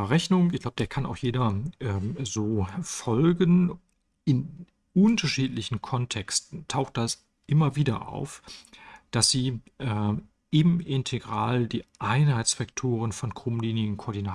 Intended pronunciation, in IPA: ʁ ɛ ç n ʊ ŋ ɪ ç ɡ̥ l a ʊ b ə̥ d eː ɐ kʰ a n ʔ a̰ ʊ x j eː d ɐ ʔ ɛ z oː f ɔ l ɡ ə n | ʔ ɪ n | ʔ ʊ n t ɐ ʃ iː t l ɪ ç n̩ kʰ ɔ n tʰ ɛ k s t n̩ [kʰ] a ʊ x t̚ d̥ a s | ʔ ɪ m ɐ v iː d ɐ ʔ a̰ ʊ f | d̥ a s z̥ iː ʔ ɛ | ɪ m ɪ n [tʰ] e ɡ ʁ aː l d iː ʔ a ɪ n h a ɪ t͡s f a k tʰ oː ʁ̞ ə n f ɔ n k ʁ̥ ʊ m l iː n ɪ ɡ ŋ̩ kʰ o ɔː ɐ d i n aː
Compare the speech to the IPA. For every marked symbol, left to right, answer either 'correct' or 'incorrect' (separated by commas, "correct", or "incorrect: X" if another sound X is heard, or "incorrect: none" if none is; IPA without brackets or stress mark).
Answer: incorrect: tʰ, correct